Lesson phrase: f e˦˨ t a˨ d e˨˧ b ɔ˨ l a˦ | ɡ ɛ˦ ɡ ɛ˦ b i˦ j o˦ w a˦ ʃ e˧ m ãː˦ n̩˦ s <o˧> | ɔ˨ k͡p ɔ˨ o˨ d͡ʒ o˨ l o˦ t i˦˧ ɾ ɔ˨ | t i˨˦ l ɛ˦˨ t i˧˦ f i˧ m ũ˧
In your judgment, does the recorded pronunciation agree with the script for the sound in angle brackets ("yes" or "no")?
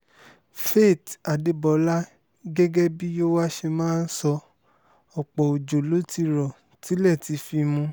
no